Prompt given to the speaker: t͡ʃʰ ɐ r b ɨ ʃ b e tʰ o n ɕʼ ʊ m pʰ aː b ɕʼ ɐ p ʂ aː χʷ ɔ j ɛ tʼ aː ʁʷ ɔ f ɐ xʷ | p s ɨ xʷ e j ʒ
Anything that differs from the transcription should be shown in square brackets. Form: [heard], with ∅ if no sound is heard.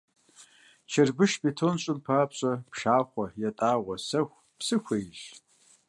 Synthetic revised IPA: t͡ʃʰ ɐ r b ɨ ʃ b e tʰ o n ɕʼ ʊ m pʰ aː [p] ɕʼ ɐ p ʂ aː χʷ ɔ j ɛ tʼ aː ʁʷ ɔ [s] ɐ xʷ | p s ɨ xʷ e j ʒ